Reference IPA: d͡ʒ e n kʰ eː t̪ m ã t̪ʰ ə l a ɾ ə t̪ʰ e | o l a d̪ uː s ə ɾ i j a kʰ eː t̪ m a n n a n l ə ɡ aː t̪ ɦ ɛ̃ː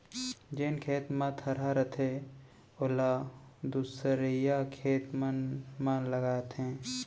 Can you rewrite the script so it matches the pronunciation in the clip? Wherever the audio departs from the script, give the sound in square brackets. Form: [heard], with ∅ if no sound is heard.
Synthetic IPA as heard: d͡ʒ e n kʰ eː t̪ m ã t̪ʰ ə [ɾ] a ɾ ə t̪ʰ e | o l a d̪ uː s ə ɾ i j a kʰ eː t̪ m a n [m] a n l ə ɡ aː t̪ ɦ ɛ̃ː